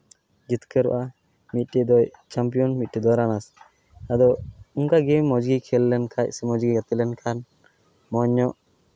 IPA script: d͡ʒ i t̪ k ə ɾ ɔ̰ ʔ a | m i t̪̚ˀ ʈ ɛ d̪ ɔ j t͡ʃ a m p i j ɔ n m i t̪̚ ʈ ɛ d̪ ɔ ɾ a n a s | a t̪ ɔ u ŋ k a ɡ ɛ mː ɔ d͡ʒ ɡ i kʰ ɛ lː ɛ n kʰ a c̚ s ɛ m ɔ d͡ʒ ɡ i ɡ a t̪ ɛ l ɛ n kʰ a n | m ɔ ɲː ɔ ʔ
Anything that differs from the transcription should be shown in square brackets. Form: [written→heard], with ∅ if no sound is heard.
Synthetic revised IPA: d͡ʒ i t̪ k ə ɾ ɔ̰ ʔ a | m i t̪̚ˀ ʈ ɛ d̪ ɔ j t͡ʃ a m p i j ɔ n m i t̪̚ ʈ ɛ d̪ ɔ ɾ a n a s | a [t̪→d̪] ɔ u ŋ k a ɡ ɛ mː ɔ d͡ʒ ɡ i kʰ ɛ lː ɛ n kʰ a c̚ s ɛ m ɔ d͡ʒ ɡ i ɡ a t̪ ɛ l ɛ n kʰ a n | m ɔ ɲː ɔ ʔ